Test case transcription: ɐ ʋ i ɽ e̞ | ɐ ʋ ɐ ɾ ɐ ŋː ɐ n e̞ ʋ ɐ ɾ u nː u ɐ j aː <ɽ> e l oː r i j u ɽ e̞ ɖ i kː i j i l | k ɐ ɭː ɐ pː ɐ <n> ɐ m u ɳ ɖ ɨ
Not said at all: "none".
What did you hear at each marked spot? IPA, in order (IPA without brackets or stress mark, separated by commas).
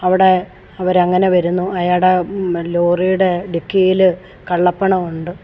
ɽ, ɳ